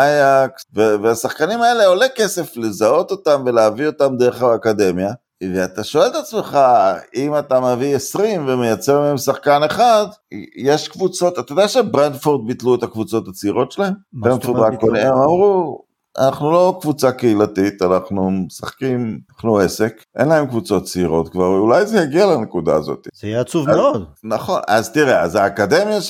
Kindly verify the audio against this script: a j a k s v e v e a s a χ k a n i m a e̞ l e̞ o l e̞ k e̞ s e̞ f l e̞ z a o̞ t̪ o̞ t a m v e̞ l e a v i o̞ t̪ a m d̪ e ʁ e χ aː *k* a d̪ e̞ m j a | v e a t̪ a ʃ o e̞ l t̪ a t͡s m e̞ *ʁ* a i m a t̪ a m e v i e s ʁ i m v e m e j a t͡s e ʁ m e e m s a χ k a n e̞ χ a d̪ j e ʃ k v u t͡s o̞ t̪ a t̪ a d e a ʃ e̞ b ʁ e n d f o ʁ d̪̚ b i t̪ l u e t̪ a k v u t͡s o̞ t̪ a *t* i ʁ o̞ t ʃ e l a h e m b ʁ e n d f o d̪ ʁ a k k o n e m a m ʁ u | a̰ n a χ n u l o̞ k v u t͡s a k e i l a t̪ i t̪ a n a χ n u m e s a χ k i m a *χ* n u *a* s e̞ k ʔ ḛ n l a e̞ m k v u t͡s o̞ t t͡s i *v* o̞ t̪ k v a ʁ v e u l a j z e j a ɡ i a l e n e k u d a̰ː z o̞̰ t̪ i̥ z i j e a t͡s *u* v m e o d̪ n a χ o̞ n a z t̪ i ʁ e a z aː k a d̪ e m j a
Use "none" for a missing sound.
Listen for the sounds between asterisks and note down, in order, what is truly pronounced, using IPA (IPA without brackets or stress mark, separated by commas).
k, χ, t͡s, χ, e, ʁ, u